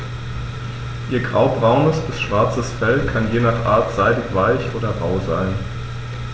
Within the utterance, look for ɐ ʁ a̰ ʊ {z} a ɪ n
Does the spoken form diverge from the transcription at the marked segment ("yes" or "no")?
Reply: no